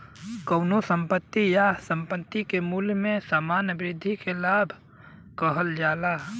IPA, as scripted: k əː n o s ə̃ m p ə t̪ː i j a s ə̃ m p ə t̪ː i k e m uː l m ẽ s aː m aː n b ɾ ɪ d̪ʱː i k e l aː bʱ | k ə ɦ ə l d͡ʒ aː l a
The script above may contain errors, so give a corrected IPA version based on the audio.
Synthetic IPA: k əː n o s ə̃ m p ə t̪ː i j a s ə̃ m p ə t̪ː i k e m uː l m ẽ s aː m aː n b ɾ ɪ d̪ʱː i k e l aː bʱ | k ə ɦ ə l d͡ʒ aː l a